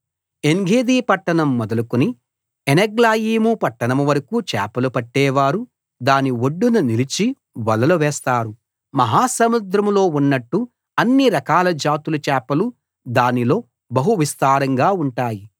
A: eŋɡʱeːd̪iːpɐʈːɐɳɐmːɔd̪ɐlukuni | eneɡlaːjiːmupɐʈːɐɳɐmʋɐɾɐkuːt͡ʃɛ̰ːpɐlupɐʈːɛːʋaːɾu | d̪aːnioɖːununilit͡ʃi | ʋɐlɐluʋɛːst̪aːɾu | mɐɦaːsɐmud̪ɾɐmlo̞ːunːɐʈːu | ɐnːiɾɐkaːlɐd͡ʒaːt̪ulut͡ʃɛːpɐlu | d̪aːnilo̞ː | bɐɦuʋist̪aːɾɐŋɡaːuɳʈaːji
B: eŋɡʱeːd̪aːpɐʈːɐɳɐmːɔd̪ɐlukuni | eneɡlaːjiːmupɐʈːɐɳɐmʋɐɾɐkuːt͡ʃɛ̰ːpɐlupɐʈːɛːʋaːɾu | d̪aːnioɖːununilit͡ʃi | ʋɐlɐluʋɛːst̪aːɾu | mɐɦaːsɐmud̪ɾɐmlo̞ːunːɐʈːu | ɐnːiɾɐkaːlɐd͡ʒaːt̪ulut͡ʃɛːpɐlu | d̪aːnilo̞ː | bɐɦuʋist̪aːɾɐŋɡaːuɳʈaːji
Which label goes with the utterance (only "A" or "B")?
A